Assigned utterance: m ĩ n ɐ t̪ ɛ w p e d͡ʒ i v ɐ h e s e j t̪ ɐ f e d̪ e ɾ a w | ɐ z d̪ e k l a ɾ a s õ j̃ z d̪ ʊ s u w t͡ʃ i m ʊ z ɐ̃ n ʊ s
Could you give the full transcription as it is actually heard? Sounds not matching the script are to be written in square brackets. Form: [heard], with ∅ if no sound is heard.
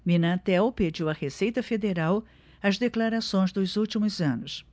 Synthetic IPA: m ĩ n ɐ t̪ ɛ w p e d͡ʒ i [w] ɐ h e s e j t̪ ɐ f e d̪ e ɾ a w | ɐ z d̪ e k l a ɾ a s õ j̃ z d̪ ʊ [z] u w t͡ʃ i m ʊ z ɐ̃ n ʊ s